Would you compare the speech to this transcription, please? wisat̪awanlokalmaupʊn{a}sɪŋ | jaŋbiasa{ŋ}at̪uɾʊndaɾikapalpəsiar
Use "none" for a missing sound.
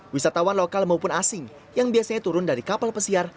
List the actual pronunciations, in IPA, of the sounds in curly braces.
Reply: a, ɲ

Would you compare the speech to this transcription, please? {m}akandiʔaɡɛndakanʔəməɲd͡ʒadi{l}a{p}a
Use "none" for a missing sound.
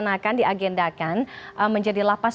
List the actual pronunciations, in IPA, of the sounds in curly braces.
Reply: n, l, p

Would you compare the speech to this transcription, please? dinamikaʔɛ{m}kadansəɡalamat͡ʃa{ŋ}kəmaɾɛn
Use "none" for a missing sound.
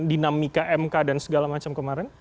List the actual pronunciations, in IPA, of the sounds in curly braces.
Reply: m, m

